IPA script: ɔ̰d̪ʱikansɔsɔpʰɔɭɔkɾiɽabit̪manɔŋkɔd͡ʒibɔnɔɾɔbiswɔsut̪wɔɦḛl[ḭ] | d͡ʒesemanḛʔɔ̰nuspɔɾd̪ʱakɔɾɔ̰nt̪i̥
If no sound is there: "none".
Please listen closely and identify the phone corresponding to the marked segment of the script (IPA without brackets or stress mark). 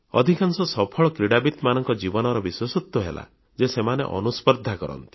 a̰